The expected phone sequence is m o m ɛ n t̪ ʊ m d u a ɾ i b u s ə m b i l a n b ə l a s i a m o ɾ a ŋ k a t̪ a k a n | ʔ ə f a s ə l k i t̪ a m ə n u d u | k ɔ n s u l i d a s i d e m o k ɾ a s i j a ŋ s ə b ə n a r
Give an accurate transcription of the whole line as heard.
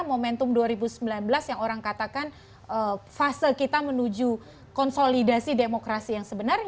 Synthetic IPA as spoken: m o m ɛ n t̪ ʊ m d u a ɾ i b u s ə m b i l a n b ə l a s j a ŋ o ɾ a ŋ k a t̪ a k a n | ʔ ə f a s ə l k i t̪ a m ə n u d͡ʒ u | k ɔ n s o l i d a s i d e m o k ɾ a s i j a ŋ s ə b ə n a r